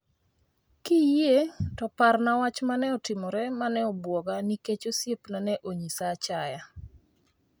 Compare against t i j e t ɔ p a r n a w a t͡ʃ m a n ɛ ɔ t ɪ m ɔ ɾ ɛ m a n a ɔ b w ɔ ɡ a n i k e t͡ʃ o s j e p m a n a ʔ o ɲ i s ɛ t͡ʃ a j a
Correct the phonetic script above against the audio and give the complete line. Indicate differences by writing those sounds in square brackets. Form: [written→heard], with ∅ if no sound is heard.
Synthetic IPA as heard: [t→k] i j e t ɔ p a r n a w a t͡ʃ m a n ɛ ɔ t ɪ m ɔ ɾ ɛ m a n [a→ɛ] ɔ b w ɔ ɡ a n i k e t͡ʃ o s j e p [m→n] a n [a→ɛ] ʔ o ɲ i s [ɛ→a] t͡ʃ a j a